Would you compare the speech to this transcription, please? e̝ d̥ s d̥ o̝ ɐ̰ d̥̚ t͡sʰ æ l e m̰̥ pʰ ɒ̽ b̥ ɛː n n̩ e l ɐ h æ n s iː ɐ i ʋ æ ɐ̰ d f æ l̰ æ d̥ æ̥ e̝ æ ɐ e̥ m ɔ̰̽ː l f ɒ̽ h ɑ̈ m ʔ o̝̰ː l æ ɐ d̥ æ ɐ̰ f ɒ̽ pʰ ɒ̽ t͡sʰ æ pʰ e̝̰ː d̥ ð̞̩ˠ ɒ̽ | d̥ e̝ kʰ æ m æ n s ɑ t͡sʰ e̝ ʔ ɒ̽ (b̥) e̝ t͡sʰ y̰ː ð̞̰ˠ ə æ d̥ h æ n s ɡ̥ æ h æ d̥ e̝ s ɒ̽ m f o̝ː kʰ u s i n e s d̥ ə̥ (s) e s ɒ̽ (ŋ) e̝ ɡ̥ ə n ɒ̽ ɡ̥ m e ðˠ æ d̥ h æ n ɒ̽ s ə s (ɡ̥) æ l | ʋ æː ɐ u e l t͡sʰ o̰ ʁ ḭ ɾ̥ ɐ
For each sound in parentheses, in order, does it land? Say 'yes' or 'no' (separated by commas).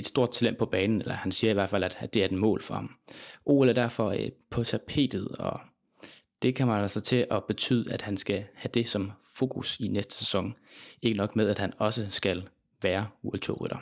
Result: yes, yes, yes, yes